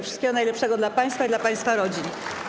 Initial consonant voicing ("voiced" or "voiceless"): voiceless